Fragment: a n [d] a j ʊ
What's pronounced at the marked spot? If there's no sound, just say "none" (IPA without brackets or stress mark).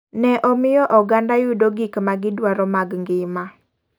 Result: d